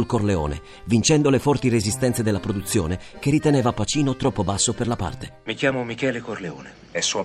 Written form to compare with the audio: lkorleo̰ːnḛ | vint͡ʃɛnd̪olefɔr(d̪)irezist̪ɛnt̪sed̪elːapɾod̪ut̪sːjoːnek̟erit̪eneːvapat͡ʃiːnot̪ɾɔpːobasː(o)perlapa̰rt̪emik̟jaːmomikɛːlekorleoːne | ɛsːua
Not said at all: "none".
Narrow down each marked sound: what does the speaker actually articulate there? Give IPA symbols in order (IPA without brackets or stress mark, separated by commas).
t̪, o